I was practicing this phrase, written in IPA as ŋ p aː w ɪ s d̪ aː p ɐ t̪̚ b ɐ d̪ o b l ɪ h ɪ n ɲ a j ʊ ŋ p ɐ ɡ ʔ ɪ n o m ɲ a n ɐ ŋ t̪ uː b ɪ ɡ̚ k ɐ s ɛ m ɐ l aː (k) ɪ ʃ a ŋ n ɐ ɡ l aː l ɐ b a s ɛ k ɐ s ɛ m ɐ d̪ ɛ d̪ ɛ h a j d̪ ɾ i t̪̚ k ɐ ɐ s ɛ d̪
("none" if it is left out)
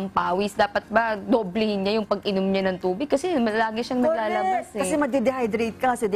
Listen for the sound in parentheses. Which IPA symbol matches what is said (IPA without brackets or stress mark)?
ɡ